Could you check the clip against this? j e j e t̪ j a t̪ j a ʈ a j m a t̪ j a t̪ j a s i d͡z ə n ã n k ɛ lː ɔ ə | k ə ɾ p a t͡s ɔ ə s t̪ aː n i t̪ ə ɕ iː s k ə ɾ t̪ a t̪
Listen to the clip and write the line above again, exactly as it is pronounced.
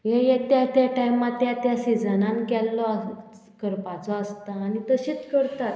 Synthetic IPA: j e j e t̪ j a t̪ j a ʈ a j m a t̪ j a t̪ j a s i d͡z ə n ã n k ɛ lː ɔ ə | k ə ɾ p a t͡s ɔ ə s t̪ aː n i t̪ ə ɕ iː t͡s k ə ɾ t̪ a t̪